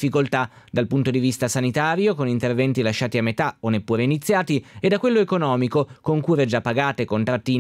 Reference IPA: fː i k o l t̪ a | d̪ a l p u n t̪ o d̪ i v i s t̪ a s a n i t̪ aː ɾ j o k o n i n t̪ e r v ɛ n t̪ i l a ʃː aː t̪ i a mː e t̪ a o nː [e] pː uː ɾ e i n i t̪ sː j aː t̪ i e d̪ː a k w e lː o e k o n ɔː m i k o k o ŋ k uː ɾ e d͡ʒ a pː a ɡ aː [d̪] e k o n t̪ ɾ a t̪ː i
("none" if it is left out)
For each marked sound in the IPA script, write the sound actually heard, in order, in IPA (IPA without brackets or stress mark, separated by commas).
e, t̪